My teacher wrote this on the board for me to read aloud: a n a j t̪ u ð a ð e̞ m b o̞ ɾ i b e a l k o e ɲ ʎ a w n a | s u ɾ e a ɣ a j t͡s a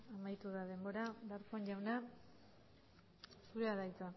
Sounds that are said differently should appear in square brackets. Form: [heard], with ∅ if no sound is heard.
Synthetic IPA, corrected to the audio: a [m] a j t̪ u ð a ð e̞ m b o̞ ɾ [a] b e a [ɾ] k o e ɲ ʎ a w n a | s u ɾ e a [ð] a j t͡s a